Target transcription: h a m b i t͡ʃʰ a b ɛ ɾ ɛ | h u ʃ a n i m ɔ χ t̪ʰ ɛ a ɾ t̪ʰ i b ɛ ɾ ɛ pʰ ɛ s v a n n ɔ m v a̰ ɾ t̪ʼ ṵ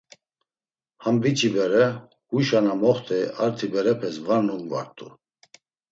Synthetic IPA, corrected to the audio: h a m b i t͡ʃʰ i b ɛ ɾ ɛ | h u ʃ a n a m ɔ χ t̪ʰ ɛ a ɾ t̪ʰ i b ɛ ɾ ɛ pʰ ɛ s v a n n u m v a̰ ɾ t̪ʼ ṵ